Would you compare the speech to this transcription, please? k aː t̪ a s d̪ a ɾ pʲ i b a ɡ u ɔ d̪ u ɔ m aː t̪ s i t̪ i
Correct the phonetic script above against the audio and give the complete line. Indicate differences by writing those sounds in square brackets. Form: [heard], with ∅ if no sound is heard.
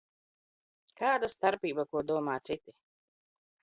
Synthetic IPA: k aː [d̪] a s [t̪] a ɾ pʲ [iː] b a [k] u ɔ d̪ u ɔ m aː t̪ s i t̪ i